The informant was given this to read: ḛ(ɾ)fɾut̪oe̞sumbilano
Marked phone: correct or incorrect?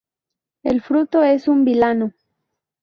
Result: incorrect: l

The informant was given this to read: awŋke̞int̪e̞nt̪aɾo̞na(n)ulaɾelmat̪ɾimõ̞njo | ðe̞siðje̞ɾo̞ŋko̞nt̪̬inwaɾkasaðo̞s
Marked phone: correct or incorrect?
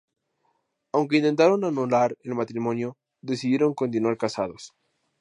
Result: correct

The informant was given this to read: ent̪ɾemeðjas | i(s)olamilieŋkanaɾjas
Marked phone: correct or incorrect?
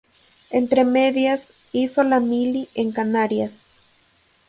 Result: correct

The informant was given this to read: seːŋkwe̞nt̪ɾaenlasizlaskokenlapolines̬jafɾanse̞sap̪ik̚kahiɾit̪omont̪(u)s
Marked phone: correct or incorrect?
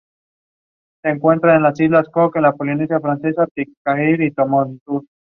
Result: correct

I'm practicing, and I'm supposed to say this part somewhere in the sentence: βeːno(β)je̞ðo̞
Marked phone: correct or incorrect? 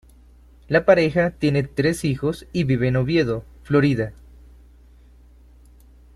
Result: correct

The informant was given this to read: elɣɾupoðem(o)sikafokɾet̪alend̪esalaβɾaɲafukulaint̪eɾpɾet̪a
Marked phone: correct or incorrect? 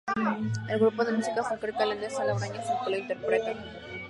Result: incorrect: u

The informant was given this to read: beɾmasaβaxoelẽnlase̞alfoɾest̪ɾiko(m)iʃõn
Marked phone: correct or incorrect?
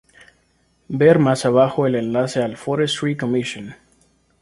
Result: correct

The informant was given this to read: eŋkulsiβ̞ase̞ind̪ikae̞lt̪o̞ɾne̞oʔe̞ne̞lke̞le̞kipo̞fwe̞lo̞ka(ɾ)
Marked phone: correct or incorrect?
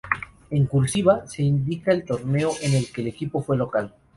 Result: incorrect: l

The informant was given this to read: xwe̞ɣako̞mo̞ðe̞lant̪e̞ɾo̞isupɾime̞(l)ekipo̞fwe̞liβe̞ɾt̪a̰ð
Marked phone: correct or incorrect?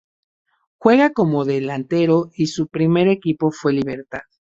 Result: incorrect: ɾ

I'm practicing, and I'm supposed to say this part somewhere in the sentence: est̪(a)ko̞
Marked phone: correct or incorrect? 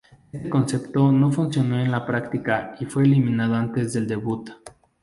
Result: incorrect: e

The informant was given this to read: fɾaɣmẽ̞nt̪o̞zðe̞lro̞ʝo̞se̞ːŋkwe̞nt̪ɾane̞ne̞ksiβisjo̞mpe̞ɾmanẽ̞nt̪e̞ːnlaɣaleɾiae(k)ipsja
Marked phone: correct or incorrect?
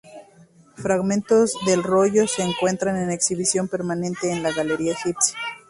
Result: incorrect: x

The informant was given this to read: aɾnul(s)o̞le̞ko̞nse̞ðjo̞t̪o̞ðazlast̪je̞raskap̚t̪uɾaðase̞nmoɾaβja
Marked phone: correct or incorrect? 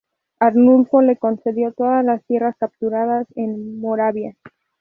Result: incorrect: f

